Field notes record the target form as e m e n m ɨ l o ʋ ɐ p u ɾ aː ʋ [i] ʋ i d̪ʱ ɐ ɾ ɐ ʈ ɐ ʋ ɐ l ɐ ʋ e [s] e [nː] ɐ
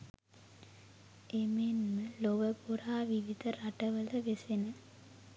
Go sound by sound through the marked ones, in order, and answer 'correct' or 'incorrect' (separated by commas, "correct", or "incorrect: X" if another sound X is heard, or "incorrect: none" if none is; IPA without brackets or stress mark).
correct, correct, incorrect: n